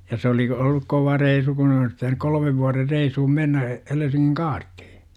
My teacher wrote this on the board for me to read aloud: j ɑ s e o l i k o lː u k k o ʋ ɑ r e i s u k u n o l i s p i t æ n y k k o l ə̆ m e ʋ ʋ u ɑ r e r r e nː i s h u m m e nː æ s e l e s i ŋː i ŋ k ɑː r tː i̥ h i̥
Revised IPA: j ɑ s e o l i k o lː u k k o ʋ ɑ r e i s u k u n o l i s p i t æ n y k k o l ə̆ m e ʋ ʋ u ɑ r e r r e i s h u m m e nː æ h e l e s i ŋː i ŋ k ɑː r tː i̥ h i̥